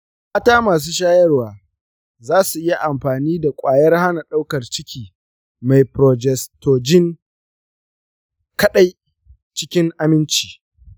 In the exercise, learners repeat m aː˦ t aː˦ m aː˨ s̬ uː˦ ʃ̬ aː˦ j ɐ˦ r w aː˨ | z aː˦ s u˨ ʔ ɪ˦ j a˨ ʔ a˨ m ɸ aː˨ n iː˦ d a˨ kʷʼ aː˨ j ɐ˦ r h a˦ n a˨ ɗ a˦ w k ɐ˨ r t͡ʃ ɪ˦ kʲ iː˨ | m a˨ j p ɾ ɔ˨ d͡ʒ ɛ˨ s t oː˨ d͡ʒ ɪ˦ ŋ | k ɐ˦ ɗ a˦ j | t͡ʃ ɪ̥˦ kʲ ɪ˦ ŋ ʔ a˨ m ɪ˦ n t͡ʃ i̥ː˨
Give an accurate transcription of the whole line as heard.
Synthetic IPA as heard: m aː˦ t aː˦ m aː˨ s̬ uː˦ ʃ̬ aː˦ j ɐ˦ r w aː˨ | z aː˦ s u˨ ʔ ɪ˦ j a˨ ʔ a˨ m ɸ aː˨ n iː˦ d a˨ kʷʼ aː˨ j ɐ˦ r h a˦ n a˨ ɗ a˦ w k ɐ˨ r t͡ʃ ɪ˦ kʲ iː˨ | m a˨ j p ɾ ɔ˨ d͡ʒ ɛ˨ s t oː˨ d͡ʒ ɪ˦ ŋ | k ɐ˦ ɗ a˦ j | t͡ʃ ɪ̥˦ kʲ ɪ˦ ŋ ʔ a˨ m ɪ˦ n t͡ʃ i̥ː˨

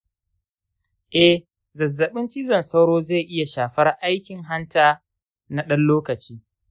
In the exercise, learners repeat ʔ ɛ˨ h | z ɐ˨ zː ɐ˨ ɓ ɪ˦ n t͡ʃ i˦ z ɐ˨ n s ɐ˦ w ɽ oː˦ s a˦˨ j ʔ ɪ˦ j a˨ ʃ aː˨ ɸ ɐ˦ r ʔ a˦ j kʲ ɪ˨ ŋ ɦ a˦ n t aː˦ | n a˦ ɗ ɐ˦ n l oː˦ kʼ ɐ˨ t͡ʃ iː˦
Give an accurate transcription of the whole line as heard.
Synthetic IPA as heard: ʔ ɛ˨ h | z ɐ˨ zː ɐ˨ ɓ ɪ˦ n t͡ʃ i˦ z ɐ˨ n s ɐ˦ w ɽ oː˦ z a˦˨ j ʔ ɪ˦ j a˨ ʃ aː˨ ɸ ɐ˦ r ʔ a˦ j kʲ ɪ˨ ŋ ɦ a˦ n t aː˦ | n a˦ ɗ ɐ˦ n l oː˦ k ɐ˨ t͡ʃ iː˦

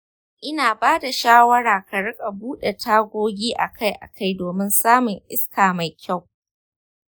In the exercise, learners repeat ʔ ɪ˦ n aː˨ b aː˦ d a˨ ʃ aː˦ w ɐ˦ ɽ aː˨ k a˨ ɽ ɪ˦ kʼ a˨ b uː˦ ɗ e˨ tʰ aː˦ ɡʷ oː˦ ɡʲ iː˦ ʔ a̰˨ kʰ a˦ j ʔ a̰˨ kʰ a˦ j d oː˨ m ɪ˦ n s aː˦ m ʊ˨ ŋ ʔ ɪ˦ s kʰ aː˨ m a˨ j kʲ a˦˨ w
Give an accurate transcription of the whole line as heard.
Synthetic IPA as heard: ʔ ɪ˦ n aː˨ b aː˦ d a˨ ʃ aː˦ w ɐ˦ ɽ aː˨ k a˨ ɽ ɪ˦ kʼ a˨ b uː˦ ɗ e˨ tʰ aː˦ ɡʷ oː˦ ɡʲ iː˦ ʔ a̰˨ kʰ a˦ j ʔ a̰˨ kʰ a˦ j d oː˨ m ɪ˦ n s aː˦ m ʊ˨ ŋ ʔ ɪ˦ s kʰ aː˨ m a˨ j kʲ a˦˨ w

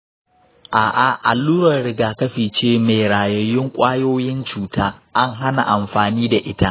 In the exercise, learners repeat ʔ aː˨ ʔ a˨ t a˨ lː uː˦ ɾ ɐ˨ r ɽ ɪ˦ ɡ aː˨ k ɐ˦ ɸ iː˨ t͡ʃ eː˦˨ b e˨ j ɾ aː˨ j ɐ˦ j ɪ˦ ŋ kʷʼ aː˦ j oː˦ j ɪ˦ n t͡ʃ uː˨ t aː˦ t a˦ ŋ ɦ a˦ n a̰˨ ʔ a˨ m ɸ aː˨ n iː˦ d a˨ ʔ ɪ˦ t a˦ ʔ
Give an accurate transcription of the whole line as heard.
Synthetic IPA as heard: ʔ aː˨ ʔ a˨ ʔ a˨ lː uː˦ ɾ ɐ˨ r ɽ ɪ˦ ɡ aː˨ k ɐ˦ ɸ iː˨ t͡ʃ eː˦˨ m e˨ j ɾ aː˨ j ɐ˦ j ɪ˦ ŋ kʷʼ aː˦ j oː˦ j ɪ˦ n t͡ʃ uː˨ t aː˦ ʔ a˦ ŋ ɦ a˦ n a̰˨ ʔ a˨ m ɸ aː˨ n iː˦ d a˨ ʔ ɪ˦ t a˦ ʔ

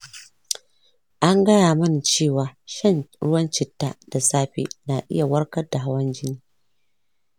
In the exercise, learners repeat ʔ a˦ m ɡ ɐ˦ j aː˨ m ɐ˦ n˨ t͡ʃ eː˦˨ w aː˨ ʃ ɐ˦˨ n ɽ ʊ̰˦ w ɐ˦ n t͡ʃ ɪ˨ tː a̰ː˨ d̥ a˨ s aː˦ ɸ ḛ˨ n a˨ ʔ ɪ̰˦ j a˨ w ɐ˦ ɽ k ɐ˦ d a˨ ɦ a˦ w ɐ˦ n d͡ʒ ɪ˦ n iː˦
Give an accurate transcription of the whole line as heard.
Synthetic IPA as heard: ʔ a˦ ŋ ɡ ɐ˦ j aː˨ m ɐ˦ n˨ t͡ʃ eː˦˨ w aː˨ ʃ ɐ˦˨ n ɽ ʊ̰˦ w ɐ˦ n t͡ʃ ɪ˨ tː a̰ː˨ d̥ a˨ s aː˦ ɸ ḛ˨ n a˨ ʔ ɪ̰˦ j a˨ w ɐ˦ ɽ k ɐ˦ d a˨ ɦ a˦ w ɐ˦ n d͡ʒ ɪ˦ n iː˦

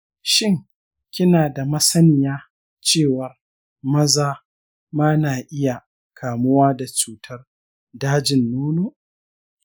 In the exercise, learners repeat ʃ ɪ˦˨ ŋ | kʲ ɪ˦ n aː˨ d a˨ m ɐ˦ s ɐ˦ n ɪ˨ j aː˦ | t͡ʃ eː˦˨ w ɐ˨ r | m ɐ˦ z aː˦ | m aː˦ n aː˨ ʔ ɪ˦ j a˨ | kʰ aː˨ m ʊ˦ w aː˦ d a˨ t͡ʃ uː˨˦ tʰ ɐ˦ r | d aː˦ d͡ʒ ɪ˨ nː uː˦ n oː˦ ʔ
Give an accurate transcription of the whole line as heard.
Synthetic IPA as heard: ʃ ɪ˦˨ ŋ | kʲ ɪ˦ n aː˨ d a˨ m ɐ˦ s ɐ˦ n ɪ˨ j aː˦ | t͡ʃ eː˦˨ w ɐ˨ r | m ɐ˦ z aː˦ | m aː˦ n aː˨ ʔ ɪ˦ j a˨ | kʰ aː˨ m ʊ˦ w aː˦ d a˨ t͡ʃ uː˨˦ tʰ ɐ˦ r | d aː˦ d͡ʒ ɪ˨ nː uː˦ n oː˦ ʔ

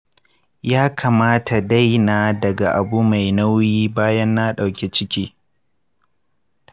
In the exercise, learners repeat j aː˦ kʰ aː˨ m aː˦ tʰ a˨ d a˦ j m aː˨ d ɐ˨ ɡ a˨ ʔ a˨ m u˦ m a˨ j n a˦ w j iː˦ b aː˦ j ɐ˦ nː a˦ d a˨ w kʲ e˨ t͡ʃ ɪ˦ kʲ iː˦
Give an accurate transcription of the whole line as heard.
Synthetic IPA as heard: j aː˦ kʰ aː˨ m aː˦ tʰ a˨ d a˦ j n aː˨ d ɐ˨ ɡ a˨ ʔ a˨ b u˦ m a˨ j n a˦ w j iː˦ b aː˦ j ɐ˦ nː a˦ ɗ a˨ w kʲ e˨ t͡ʃ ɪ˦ kʲ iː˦

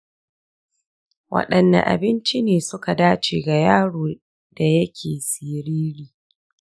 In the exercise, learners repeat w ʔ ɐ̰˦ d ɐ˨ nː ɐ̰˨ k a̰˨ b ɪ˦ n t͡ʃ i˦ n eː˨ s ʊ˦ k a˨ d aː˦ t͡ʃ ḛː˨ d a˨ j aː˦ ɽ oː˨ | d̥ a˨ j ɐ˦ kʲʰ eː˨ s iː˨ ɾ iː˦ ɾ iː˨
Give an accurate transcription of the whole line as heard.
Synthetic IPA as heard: w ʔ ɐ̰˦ ɗ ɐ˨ nː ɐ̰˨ ʔ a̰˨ b ɪ˦ n t͡ʃ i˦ n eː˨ s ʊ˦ k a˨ d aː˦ t͡ʃ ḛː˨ ɡ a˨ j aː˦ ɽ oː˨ | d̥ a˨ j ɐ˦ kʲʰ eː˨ s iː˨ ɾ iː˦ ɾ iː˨

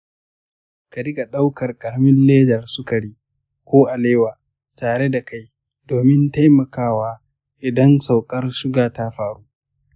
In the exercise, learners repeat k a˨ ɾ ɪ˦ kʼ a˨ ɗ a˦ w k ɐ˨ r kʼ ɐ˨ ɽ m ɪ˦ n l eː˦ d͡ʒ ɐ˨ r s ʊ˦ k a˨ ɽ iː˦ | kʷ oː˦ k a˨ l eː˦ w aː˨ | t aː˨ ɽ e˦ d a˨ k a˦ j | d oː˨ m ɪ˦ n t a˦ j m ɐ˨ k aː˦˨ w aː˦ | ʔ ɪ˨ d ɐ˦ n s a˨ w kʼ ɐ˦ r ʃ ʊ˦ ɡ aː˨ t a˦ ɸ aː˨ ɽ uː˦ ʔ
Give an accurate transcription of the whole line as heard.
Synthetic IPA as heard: k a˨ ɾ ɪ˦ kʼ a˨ ɗ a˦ w k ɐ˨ r kʼ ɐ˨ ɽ m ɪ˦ n l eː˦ d͡ʒ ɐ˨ r s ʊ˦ k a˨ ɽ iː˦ | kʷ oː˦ ʔ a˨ l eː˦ w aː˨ | t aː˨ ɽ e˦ d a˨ k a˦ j | d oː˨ m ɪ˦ n t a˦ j m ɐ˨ k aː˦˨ w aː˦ | ʔ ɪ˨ d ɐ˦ n s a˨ w kʼ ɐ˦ r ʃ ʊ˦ ɡ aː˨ t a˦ ɸ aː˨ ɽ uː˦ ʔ

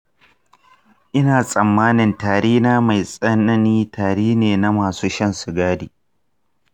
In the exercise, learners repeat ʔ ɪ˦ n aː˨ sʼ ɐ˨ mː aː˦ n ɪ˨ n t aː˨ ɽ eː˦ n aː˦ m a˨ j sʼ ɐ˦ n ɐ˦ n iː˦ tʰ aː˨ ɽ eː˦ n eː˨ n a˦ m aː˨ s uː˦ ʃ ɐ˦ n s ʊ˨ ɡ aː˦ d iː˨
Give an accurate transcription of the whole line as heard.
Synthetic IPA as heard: ʔ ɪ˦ n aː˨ sʼ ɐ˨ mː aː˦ n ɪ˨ n t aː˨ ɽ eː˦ n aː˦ m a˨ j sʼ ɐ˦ n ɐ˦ n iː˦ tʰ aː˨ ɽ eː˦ n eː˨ n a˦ m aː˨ s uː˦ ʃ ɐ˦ n s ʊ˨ ɡ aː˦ d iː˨

